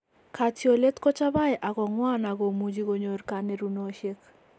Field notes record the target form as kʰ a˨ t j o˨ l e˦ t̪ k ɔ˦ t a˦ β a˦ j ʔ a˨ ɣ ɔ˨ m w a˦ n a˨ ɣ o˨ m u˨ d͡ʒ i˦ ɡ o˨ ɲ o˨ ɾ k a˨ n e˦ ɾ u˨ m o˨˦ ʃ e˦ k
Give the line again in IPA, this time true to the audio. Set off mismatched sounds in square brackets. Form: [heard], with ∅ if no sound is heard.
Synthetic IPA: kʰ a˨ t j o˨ l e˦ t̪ k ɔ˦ [t͡ʃ] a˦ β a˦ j ʔ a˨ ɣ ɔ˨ [ŋ] w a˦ n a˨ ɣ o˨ m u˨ d͡ʒ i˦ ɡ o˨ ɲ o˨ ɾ k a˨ n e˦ ɾ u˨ [n] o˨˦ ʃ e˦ k